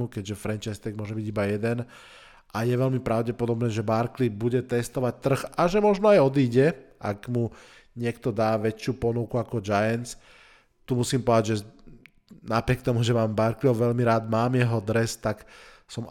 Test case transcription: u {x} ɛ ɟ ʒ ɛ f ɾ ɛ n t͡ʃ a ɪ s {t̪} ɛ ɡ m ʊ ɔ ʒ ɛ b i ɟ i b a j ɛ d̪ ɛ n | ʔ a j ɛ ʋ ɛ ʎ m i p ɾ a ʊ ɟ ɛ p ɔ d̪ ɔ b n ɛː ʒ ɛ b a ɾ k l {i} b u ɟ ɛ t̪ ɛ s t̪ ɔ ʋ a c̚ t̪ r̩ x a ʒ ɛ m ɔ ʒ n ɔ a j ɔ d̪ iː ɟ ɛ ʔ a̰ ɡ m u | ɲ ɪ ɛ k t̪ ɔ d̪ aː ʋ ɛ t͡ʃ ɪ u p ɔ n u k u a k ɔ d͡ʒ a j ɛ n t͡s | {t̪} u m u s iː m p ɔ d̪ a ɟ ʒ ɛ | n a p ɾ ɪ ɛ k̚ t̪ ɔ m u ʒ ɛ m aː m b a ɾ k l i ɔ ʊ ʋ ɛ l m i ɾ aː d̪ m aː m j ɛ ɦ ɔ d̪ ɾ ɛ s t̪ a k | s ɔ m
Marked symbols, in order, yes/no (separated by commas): no, yes, yes, yes